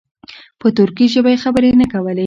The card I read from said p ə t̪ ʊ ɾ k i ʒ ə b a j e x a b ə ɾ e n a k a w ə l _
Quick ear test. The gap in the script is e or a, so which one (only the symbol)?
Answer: e